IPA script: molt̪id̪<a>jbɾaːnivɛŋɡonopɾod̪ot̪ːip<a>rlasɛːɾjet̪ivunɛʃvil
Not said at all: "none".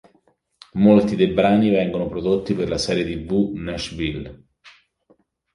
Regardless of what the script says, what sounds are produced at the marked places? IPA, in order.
e, e

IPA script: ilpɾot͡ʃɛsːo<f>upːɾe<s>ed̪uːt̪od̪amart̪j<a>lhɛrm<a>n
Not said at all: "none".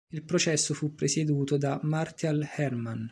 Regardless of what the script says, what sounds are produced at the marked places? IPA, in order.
f, s, a, a

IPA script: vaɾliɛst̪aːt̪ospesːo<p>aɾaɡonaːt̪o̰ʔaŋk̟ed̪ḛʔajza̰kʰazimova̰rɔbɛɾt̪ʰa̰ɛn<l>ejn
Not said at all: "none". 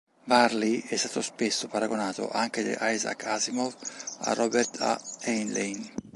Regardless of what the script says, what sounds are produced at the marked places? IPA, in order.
p, l

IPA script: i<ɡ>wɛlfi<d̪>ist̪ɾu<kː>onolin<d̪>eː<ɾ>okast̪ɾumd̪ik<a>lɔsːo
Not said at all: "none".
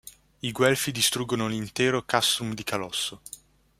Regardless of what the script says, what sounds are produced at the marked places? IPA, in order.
ɡ, d̪, ɡː, t̪, ɾ, a

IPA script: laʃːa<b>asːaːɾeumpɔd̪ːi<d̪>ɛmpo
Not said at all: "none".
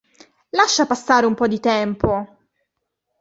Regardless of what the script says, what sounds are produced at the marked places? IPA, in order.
p, t̪

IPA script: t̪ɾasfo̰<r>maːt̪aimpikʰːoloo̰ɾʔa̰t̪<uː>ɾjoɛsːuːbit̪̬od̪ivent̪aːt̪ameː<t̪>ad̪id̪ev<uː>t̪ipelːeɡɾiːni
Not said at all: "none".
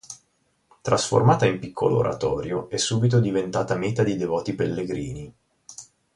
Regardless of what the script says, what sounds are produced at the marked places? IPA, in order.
r, ɔː, t̪, ɔː

